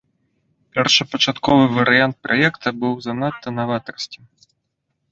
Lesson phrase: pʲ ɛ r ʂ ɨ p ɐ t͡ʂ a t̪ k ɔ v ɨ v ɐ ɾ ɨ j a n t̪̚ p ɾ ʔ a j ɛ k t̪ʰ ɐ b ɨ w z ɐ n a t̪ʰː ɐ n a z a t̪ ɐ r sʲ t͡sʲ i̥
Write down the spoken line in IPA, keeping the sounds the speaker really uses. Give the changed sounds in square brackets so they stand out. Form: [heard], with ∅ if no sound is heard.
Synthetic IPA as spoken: pʲ ɛ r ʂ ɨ p ɐ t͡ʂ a t̪ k ɔ v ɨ v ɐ ɾ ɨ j a n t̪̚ p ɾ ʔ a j ɛ k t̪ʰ ɐ b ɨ w z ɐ n a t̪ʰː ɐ n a [v] a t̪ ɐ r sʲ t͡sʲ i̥